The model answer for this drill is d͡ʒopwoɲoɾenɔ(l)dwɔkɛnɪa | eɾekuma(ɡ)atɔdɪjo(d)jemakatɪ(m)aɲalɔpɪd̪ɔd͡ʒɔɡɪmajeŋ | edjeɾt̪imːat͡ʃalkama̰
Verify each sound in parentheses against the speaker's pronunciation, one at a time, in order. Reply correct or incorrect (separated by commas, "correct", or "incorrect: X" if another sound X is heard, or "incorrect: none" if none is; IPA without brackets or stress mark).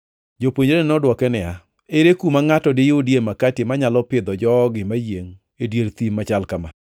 incorrect: none, incorrect: ŋ, correct, correct